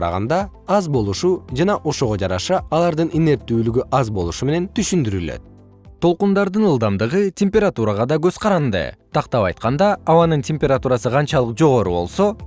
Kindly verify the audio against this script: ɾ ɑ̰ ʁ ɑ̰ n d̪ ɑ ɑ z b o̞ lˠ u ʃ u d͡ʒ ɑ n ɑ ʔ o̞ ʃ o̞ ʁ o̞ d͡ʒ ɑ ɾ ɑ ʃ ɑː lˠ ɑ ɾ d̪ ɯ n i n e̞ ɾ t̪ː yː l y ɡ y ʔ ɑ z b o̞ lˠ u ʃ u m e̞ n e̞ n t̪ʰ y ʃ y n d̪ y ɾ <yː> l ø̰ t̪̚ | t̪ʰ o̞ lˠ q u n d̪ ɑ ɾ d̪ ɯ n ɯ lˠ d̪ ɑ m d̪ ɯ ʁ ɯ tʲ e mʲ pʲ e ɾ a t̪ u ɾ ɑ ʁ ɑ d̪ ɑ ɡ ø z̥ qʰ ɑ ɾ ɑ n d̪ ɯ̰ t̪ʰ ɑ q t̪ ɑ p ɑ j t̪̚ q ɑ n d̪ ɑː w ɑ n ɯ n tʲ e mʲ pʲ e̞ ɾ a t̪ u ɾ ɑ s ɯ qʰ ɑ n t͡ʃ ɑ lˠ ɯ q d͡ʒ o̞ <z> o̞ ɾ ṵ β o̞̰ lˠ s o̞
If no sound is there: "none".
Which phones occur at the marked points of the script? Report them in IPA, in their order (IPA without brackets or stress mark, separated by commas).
y, ʁ